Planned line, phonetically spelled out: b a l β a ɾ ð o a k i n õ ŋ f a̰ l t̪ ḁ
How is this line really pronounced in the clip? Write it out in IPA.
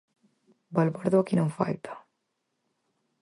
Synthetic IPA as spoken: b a l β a ɾ ð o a k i n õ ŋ f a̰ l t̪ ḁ

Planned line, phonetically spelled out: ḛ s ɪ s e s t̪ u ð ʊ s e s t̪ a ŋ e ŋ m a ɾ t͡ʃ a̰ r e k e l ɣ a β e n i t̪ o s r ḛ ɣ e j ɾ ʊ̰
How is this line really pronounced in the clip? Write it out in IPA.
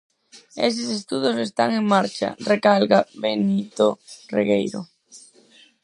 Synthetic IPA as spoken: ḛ s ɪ s e s t̪ u ð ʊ s e s t̪ a ŋ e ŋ m a ɾ t͡ʃ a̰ r e k a l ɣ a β e n i t̪ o r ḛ ɣ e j ɾ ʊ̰

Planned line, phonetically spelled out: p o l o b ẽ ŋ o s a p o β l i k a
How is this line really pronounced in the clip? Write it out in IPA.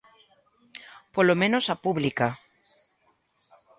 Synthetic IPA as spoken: p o l o m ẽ n o s a p u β l i k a

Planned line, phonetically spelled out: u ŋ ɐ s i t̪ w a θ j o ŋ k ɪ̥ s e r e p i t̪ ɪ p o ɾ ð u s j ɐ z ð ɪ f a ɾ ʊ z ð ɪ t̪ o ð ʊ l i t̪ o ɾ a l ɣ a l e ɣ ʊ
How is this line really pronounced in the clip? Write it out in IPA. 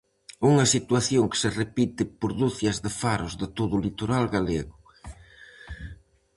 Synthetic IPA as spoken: u ŋ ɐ s i t̪ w a θ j o ŋ k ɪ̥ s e r e p i t̪ ɪ p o ɾ ð u θ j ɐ z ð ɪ f a ɾ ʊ z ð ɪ t̪ o ð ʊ l i t̪ o ɾ a l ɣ a l e ɣ ʊ

